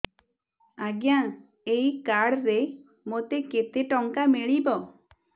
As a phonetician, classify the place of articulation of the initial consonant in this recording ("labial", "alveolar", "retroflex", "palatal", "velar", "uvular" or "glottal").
velar